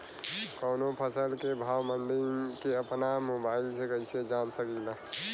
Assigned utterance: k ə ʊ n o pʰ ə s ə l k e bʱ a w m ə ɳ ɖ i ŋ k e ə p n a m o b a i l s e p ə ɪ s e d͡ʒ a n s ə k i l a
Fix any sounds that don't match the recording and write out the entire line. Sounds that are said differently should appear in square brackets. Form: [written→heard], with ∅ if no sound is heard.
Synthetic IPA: k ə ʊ n o pʰ ə s ə l k e bʱ a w m ə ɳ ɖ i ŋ k e ə p n a m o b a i l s e [p→k] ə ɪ s e d͡ʒ a n s ə k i l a